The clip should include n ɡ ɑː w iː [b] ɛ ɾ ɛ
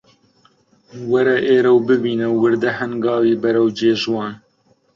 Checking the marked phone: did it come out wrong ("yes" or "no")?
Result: no